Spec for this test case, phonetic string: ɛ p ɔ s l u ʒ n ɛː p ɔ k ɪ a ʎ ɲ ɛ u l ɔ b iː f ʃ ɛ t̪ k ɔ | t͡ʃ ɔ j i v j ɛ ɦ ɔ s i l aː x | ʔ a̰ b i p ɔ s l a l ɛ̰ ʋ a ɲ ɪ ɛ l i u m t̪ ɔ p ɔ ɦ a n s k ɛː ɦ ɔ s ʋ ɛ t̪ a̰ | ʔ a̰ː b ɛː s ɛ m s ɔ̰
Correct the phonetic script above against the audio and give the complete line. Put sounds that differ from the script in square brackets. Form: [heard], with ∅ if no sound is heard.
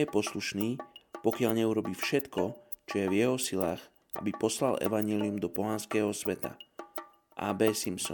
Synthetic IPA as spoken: ɛ p ɔ s l u [ʃ] n [iː] p ɔ k ɪ a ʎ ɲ ɛ u [ɾ] ɔ b iː f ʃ ɛ t̪ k ɔ | t͡ʃ ɔ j [ɛ] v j ɛ ɦ ɔ s i l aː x | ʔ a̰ b i p ɔ s l a l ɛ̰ ʋ a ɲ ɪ ɛ l i u m [d̪] ɔ p ɔ ɦ a n s k ɛː ɦ ɔ s ʋ ɛ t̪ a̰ | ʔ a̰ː b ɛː s [i] m s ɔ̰